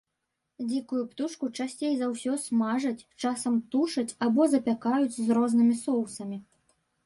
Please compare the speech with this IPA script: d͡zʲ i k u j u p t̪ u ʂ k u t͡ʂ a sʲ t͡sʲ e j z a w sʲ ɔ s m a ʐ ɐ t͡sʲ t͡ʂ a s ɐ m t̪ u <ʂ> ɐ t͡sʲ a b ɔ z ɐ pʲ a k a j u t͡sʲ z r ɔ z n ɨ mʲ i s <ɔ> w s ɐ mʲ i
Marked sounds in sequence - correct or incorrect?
correct, correct

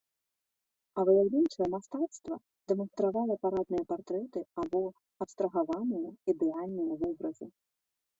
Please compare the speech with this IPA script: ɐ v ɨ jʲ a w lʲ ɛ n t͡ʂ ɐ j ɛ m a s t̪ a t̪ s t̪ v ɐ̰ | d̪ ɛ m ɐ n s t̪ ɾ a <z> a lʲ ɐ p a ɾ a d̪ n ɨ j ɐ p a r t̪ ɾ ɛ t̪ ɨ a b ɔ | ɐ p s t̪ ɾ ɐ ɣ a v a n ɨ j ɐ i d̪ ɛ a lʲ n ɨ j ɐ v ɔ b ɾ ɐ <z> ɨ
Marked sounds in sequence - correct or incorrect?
incorrect: v, correct

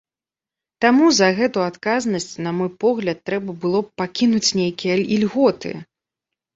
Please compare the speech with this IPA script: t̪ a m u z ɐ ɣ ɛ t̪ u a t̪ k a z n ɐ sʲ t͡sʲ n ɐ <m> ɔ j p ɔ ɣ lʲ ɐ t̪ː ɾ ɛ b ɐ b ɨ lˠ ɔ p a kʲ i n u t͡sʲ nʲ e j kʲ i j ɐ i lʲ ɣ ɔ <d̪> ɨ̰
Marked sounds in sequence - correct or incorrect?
correct, incorrect: t̪

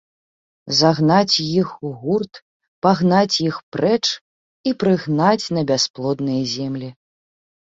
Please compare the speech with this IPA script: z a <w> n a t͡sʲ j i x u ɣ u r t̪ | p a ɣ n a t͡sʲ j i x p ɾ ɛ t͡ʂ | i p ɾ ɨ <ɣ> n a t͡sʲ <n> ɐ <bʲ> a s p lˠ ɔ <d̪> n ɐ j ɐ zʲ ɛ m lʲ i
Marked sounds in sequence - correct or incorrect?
incorrect: ɣ, correct, correct, correct, correct

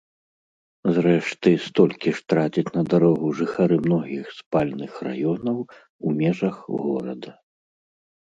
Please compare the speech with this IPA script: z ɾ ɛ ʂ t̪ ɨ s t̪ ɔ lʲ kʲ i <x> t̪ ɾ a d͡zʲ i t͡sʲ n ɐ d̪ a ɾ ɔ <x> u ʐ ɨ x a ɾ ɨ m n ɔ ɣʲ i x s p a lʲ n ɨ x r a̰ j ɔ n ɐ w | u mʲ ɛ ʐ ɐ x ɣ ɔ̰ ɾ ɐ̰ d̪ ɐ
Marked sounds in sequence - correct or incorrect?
incorrect: ʂ, incorrect: ɣ

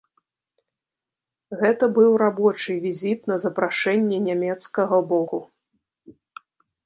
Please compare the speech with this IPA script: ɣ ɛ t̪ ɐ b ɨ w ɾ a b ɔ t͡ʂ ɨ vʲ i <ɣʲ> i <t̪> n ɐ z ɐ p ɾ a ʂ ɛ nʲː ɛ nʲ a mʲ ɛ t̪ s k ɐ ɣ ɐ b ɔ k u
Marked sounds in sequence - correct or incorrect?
incorrect: zʲ, correct

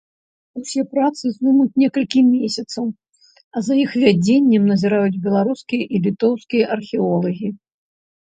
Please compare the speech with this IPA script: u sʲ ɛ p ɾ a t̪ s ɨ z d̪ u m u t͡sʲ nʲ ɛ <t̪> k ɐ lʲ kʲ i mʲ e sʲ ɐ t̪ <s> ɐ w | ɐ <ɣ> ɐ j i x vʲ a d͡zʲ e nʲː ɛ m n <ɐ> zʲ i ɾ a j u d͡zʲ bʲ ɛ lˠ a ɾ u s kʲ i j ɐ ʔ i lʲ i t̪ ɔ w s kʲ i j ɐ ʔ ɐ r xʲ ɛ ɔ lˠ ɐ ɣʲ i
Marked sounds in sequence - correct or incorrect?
incorrect: none, correct, incorrect: z, correct

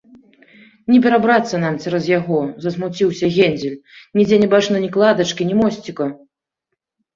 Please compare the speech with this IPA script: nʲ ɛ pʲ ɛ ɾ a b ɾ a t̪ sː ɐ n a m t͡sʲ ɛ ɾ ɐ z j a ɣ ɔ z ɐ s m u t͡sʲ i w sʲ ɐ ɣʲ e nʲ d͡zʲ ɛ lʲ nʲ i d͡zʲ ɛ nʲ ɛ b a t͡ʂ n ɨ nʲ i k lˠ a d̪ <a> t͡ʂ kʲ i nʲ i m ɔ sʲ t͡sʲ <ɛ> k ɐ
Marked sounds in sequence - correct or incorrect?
incorrect: ɐ, incorrect: i

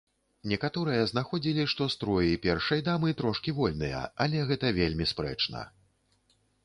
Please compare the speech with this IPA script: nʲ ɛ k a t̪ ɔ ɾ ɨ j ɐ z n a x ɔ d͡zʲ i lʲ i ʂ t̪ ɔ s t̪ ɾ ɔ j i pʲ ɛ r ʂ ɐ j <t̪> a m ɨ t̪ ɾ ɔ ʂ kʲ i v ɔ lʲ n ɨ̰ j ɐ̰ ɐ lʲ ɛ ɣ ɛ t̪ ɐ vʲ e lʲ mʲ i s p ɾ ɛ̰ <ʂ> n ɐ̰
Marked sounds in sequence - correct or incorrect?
incorrect: d̪, incorrect: t͡ʂ

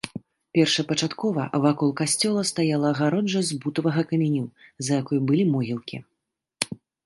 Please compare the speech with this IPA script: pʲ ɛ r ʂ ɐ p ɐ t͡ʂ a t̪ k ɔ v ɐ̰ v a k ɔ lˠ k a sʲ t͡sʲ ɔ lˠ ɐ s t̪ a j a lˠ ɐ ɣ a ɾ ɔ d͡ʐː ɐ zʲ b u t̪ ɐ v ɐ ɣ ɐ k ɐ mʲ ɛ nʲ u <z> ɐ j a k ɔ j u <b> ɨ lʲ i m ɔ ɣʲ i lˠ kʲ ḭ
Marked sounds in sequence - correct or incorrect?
correct, correct

